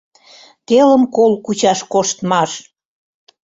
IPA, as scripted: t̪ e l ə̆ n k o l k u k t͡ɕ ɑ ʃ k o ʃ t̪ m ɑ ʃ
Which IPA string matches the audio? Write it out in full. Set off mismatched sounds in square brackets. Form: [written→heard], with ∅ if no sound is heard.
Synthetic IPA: t̪ e l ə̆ [n→m] k o l k u [k→∅] t͡ɕ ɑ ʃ k o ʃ t̪ m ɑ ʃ